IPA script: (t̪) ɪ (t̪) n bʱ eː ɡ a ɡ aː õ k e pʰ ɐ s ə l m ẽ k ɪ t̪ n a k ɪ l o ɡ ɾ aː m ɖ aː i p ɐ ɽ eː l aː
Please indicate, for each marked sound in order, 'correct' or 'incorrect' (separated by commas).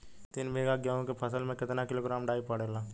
correct, incorrect